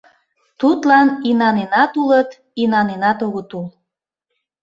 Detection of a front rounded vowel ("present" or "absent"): absent